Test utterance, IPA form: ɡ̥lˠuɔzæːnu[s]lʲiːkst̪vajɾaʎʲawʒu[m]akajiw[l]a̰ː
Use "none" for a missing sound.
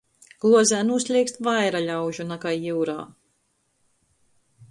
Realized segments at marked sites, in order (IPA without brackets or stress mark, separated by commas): s, n, ɾ